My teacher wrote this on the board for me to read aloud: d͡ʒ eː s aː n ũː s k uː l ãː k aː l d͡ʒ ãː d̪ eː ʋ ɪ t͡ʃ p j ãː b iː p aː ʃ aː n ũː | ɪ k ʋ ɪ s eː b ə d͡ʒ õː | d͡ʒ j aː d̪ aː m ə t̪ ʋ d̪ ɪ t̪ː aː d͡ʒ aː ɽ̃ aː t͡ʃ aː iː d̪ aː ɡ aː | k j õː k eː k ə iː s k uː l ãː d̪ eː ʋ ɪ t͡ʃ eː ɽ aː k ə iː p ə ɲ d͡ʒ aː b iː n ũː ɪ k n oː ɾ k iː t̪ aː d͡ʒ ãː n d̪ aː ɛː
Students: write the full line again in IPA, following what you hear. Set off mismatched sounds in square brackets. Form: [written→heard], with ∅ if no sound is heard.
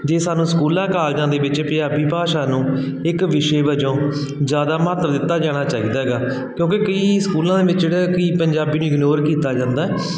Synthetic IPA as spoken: d͡ʒ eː s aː n ũː s k uː l ãː k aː l d͡ʒ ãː d̪ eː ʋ ɪ t͡ʃ p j [ãː→aː] b iː p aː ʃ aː n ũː | ɪ k ʋ ɪ [s→ʃ] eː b ə d͡ʒ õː | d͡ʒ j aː d̪ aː m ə t̪ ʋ d̪ ɪ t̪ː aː d͡ʒ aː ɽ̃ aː t͡ʃ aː iː d̪ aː ɡ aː | k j õː k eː k ə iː s k uː l ãː d̪ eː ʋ ɪ t͡ʃ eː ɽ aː k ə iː p ə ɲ d͡ʒ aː b iː n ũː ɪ [k→ɡ] n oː ɾ k iː t̪ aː d͡ʒ ãː n d̪ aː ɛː